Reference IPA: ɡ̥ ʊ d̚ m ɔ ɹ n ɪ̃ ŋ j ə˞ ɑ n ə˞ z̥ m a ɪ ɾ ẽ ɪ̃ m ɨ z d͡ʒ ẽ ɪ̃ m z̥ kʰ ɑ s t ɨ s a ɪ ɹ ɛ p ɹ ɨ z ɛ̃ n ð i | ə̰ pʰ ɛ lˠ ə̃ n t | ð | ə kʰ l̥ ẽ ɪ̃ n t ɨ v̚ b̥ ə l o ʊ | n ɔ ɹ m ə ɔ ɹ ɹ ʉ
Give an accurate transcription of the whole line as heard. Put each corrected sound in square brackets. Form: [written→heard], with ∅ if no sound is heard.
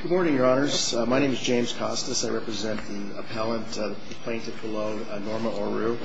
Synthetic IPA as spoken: ɡ̥ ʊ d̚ m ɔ ɹ n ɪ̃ ŋ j ə˞ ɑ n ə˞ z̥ m a ɪ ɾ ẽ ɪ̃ m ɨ z d͡ʒ ẽ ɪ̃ m z̥ kʰ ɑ s t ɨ s a ɪ ɹ ɛ p ɹ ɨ z ɛ̃ n ð i | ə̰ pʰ ɛ lˠ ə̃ n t | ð | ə [kʰ→pʰ] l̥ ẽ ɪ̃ n t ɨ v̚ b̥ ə l o ʊ | n ɔ ɹ m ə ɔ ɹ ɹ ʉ

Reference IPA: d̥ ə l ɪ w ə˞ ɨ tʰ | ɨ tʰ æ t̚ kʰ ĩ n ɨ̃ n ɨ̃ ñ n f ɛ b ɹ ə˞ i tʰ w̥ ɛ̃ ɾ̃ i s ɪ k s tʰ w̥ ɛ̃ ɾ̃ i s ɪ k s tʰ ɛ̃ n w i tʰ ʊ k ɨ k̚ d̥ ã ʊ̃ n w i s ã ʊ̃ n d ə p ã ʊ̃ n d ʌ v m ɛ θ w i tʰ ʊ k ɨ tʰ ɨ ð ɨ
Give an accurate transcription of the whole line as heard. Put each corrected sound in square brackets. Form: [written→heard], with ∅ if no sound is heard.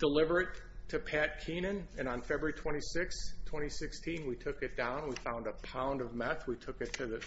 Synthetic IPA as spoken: d̥ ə l ɪ [w→v] ə˞ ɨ tʰ | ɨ [tʰ→pʰ] æ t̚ kʰ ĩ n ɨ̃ n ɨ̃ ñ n f ɛ b ɹ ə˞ i tʰ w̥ ɛ̃ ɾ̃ i s ɪ k s tʰ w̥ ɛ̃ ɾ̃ i s ɪ k s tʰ [ɛ̃→ĩ] n w i tʰ ʊ k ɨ [k̚→t̚] d̥ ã ʊ̃ n w i [s→f] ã ʊ̃ n d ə [p→pʰ] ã ʊ̃ n d ʌ v m ɛ θ w i tʰ ʊ k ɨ tʰ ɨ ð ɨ

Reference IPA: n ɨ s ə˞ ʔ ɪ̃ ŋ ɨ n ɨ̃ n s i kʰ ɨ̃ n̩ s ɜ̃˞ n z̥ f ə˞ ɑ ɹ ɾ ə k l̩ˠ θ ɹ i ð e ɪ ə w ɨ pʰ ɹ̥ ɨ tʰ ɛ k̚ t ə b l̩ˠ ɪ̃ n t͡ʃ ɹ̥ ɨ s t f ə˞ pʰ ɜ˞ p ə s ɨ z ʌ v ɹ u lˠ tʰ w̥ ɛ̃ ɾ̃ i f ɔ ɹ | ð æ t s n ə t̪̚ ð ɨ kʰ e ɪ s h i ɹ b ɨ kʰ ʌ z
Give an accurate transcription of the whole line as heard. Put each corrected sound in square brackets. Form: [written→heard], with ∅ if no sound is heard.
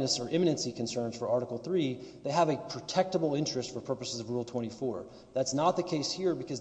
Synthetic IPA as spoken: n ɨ s ə˞ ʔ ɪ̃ [ŋ→m] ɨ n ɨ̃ n s i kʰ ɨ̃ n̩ s ɜ̃˞ n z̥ f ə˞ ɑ ɹ ɾ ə k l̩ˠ θ ɹ i ð e ɪ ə [w→v] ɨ pʰ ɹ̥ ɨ tʰ ɛ k̚ t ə b l̩ˠ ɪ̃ n t͡ʃ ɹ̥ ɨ s t f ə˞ pʰ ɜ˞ p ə s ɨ z ʌ v ɹ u lˠ tʰ w̥ ɛ̃ ɾ̃ i f ɔ ɹ | ð æ t s n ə t̪̚ ð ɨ kʰ e ɪ s h i ɹ b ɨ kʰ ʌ z

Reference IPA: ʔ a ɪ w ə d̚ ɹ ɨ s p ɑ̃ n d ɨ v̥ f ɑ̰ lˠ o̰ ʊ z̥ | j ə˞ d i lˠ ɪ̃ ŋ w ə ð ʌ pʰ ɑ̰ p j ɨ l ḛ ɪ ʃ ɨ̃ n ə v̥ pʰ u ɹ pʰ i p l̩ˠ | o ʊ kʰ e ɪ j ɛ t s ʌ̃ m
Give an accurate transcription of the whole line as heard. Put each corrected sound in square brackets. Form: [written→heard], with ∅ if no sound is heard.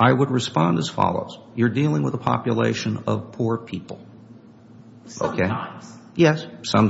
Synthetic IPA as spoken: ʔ a ɪ w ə d̚ ɹ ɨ s p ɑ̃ n d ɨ [v̥→z̥] f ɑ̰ lˠ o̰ ʊ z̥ | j ə˞ d i lˠ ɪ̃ ŋ w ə ð [ʌ→ə] pʰ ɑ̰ p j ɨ l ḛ ɪ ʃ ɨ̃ n [ə→ʌ] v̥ pʰ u ɹ pʰ i p l̩ˠ | o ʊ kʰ e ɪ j ɛ [t→s] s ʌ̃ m

